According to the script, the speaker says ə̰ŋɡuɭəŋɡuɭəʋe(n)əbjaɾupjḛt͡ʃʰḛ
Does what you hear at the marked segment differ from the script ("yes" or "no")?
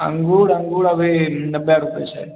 no